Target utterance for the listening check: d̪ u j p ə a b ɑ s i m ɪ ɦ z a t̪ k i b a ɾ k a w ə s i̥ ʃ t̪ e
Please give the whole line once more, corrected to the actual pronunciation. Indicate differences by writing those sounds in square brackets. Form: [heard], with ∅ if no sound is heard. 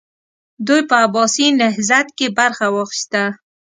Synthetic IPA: d̪ u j p ə a b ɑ s i [n] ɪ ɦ z a t̪ k [e] b a ɾ [x] a w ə [x] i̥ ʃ t̪ [a]

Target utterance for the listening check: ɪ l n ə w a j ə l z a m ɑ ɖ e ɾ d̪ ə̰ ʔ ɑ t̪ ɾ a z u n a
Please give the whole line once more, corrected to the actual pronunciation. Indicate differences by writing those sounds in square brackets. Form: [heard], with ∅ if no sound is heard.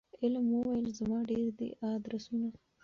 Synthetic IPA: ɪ l [m] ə w a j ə l z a m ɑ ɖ e ɾ d̪ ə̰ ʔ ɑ [d̪] ɾ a [s] u n a

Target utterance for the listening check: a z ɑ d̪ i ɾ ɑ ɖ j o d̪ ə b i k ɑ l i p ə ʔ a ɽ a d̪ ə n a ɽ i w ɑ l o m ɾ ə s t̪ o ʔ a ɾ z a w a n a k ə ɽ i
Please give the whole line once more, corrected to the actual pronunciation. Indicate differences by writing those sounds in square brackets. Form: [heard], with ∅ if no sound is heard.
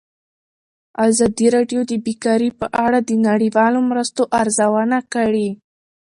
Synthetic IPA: a z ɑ d̪ i ɾ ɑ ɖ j o d̪ ə b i k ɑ [ɾ] i p ə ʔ a ɽ a d̪ ə n a ɽ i w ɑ l o m ɾ ə s t̪ o ʔ a ɾ z a w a n a k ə ɽ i

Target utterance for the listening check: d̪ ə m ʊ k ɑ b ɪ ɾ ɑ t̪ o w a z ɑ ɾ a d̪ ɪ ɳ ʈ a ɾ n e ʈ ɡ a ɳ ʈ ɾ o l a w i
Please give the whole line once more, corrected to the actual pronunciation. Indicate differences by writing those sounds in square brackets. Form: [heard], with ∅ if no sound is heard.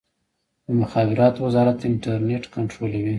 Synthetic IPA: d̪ ə m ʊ [x] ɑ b ɪ ɾ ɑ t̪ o w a z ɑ ɾ a [t̪] ɪ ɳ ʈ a ɾ n e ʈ [k] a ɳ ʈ ɾ o l a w i

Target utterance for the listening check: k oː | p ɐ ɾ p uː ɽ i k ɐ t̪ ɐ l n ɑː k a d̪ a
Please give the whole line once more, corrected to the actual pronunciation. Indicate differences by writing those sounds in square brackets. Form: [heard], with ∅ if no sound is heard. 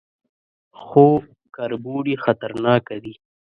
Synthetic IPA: [x] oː | [k] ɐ ɾ [b] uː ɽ i [x] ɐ t̪ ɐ [ɾ] n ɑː k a d̪ [i]

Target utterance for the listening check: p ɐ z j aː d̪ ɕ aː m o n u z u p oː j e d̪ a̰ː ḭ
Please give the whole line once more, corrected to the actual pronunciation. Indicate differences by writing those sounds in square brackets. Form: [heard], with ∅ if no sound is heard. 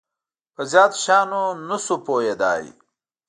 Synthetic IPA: p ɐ z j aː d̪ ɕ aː [n] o n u [s] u p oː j e d̪ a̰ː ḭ

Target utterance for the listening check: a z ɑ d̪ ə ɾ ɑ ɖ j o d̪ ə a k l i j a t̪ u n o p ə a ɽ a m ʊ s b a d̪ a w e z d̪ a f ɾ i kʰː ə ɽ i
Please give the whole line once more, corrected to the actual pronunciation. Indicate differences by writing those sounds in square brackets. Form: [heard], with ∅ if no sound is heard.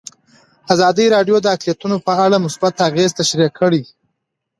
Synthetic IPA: a z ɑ d̪ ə ɾ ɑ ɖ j o d̪ ə a k l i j a t̪ u n o p ə a ɽ a m ʊ s b a [t̪] a [ɣ] e z [t̪] a [ʃ] ɾ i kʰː ə ɽ i

